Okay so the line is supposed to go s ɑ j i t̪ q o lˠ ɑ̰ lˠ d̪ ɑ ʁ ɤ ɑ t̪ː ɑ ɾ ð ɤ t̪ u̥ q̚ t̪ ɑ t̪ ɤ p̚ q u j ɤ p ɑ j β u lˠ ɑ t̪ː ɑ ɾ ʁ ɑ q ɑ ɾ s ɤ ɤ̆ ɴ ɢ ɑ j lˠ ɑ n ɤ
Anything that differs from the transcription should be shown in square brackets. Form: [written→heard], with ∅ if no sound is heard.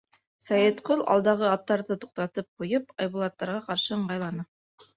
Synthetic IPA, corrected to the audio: s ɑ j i t̪ q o lˠ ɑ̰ lˠ d̪ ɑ ʁ ɤ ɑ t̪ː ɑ ɾ ð ɤ t̪ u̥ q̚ t̪ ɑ t̪ ɤ p̚ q u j ɤ p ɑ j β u lˠ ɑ t̪ː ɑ ɾ ʁ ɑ q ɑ ɾ [s→ʃ] ɤ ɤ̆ ɴ ɢ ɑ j lˠ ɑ n ɤ